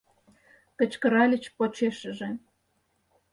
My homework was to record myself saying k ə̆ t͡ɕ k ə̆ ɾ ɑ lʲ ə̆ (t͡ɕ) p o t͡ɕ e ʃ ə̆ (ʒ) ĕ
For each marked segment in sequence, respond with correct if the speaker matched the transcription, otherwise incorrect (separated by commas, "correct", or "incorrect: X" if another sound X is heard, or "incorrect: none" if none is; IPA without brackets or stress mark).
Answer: correct, correct